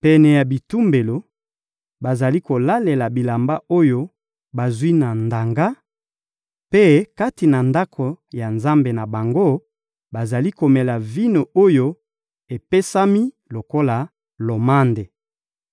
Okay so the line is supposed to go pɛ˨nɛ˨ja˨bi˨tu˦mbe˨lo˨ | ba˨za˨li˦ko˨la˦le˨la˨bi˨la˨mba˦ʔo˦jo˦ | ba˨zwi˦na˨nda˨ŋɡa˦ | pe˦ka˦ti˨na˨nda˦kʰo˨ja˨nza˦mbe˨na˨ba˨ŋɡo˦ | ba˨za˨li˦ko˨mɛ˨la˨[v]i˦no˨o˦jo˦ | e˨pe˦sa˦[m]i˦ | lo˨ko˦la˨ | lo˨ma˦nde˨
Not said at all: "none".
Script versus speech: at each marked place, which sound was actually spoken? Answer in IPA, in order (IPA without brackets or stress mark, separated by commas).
v, m